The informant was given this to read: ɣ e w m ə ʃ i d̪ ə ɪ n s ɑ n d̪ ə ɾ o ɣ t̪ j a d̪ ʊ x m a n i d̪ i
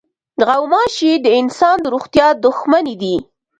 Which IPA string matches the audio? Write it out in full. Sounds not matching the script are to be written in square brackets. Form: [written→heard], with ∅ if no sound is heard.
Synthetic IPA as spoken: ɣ [e→a] w m [ə→ɑ] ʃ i d̪ ə ɪ n s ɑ n d̪ ə ɾ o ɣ t̪ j [a→ɑ] d̪ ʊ x m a n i d̪ i